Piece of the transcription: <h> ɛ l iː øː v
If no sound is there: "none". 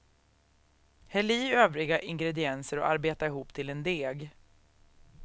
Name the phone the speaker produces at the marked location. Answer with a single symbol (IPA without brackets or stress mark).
h